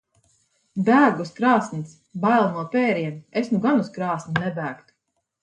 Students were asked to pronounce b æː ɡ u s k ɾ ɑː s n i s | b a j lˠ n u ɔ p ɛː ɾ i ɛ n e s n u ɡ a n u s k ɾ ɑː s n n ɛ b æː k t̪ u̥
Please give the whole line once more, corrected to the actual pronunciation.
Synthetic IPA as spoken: b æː ɡ u s k ɾ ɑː s n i s | b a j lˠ n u ɔ p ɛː ɾ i ɛ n e s n u ɡ a n u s k ɾ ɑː s n n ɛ b æː k t̪ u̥